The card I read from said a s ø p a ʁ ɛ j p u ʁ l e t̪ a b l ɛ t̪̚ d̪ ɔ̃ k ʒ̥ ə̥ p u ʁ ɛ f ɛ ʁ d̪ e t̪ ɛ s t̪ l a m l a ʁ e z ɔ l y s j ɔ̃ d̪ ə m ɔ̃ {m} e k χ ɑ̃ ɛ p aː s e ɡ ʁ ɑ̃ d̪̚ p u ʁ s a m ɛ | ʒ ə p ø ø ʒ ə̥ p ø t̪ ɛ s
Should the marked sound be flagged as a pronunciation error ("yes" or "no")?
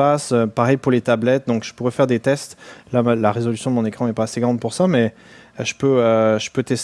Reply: yes